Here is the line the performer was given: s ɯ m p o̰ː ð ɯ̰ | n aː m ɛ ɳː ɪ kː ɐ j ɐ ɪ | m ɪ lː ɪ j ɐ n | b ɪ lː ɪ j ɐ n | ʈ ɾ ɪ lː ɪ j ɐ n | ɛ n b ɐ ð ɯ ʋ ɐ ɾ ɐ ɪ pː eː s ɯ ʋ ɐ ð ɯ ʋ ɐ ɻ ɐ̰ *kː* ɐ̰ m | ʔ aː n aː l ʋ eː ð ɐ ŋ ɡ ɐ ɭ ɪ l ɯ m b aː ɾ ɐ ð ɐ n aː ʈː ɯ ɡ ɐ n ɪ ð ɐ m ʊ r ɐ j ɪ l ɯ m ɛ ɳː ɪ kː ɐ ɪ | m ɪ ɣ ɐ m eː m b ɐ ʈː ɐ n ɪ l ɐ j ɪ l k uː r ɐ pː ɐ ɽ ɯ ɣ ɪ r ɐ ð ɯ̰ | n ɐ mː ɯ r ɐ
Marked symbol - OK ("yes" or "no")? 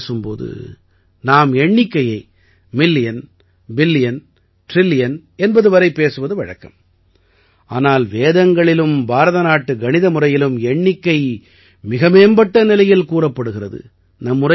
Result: yes